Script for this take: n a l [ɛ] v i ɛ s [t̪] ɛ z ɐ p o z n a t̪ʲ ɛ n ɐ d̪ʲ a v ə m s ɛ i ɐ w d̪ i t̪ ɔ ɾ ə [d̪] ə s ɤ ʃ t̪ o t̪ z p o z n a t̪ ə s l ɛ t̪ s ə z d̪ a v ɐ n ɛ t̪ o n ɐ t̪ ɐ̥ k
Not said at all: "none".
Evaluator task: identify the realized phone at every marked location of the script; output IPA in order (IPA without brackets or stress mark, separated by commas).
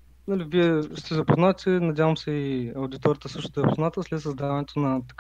i, t̪, t̪